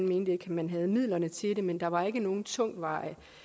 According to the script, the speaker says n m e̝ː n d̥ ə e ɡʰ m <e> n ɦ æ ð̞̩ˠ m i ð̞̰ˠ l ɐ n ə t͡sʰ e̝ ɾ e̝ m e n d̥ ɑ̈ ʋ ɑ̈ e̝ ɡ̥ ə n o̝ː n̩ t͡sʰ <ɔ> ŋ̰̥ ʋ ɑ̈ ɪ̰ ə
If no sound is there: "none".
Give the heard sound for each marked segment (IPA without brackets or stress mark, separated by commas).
æ, ɔ